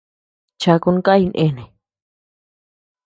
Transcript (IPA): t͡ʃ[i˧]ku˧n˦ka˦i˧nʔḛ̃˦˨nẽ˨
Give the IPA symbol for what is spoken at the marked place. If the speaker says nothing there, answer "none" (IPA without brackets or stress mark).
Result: a˧